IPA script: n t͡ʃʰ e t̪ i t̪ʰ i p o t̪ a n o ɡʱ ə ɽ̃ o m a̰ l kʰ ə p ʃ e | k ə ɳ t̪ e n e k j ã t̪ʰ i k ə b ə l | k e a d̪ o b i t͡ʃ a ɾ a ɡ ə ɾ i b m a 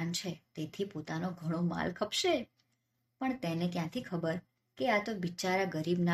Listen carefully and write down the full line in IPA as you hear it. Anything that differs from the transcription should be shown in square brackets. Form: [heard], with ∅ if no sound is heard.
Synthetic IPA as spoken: n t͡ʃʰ e t̪ [e] t̪ʰ i p o t̪ a n o ɡʱ ə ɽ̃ o m a̰ l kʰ ə p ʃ e | [p] ə ɳ t̪ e n e k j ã t̪ʰ i [kʰ] ə b ə [ɾ] | k e a [t̪] o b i t͡ʃ a ɾ a ɡ ə ɾ i b [n] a